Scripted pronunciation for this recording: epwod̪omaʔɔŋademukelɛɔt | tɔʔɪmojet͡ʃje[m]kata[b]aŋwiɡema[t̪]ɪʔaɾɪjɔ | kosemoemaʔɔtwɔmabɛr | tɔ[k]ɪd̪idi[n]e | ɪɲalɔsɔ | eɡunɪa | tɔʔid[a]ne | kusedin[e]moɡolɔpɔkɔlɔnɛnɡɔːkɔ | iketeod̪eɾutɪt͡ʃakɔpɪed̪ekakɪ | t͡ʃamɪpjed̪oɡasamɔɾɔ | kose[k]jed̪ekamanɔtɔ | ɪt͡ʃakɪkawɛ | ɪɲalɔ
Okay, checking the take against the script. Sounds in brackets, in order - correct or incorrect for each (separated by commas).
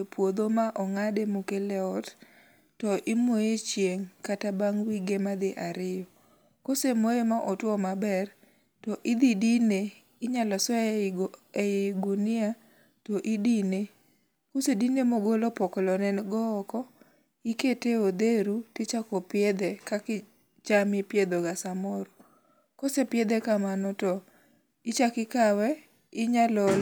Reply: incorrect, correct, incorrect, incorrect, correct, incorrect, correct, incorrect